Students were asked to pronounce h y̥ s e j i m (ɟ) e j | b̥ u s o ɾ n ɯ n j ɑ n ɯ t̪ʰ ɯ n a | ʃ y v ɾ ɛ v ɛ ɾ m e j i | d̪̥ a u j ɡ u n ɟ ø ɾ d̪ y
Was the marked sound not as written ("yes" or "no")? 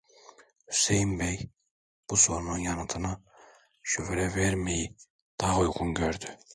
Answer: yes